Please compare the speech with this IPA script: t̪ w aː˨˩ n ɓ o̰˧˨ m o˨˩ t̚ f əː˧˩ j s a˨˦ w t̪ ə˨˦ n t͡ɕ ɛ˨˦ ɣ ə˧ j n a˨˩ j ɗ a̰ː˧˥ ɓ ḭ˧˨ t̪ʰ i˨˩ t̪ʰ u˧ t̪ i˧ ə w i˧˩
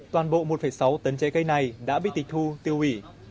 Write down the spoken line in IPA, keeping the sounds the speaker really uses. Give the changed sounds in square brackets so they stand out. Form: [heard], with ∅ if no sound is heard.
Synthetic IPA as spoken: t̪ w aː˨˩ n ɓ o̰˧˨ m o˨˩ t̚ f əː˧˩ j s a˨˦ w t̪ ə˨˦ n t͡ɕ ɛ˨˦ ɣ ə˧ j n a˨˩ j ɗ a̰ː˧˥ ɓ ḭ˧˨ [t̪] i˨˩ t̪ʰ u˧ t̪ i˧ ə w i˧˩